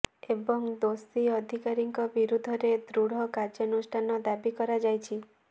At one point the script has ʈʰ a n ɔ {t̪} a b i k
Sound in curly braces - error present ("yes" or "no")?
yes